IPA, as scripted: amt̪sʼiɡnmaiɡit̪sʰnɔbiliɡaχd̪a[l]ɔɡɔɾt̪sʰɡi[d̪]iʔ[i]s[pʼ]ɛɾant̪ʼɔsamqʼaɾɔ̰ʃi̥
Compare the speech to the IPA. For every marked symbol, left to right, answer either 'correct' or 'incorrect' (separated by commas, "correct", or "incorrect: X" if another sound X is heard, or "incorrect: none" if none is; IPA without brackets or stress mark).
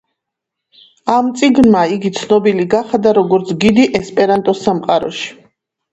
incorrect: ɾ, correct, incorrect: ɛ, correct